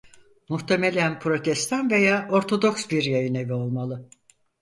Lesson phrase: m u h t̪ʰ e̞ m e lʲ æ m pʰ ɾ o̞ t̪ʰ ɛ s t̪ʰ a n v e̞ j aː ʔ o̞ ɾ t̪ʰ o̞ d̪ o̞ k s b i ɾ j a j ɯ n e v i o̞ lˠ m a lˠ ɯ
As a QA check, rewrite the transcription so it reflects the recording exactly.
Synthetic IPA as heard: m u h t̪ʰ e̞ m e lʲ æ n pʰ ɾ o̞ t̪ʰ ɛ s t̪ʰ a n v e̞ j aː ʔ o̞ ɾ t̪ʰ o̞ d̪ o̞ k s b i ɾ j a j ɯ n e v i o̞ lˠ m a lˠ ɯ